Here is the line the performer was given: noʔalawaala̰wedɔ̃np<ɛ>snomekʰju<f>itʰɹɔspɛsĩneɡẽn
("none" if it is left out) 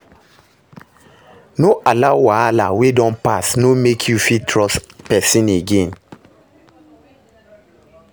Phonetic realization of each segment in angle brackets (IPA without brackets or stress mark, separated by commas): a, f